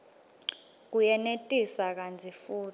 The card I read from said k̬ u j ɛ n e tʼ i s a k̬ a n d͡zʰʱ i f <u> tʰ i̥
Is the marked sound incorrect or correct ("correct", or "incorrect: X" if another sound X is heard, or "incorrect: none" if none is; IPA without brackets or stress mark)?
incorrect: uː